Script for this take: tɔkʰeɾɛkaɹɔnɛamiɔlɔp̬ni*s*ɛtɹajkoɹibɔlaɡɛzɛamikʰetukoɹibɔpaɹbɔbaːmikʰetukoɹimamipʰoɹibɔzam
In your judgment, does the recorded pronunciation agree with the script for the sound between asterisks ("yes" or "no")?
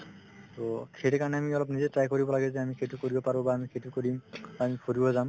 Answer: no